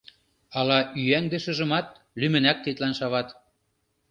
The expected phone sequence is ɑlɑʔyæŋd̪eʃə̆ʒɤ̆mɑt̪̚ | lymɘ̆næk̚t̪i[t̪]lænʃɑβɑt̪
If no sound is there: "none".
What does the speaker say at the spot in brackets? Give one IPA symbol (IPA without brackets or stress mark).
t̪